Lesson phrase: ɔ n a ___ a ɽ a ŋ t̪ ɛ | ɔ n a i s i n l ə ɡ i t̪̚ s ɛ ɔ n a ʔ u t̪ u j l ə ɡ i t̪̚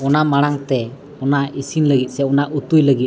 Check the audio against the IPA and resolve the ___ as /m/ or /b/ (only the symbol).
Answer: m